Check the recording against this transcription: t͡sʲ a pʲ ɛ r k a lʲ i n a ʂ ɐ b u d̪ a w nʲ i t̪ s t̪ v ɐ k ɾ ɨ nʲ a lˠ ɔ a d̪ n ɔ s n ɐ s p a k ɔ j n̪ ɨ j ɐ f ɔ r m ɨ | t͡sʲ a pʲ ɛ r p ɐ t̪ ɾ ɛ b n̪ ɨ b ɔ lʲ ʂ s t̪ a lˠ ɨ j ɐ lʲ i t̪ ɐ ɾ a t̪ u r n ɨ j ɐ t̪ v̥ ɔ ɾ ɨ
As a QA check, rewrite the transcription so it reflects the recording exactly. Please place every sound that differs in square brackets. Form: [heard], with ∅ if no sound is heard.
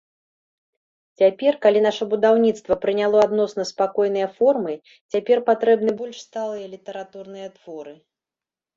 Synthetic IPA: t͡sʲ a pʲ ɛ r k a lʲ i n a ʂ ɐ b u d̪ a w nʲ i t̪ s t̪ v ɐ [p] ɾ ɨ nʲ a lˠ ɔ a d̪ n ɔ s n ɐ s p a k ɔ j n̪ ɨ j ɐ f ɔ r m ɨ | t͡sʲ a pʲ ɛ r p [a] t̪ ɾ ɛ b n̪ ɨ b ɔ lʲ ʂ s t̪ a lˠ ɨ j ɐ lʲ i t̪ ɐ ɾ a t̪ u r n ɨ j ɐ t̪ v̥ ɔ ɾ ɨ